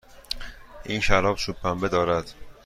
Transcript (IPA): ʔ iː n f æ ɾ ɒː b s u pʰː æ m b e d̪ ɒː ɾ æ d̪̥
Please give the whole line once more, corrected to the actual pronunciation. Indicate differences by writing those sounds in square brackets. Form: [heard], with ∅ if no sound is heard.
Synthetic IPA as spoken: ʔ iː n [ʃ] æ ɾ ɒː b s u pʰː æ m b e d̪ ɒː ɾ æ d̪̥